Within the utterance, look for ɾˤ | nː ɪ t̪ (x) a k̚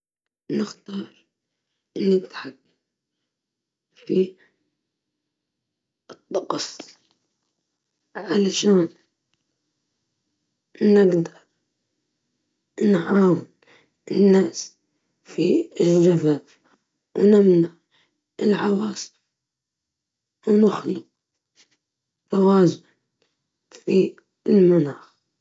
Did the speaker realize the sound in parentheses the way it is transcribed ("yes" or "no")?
no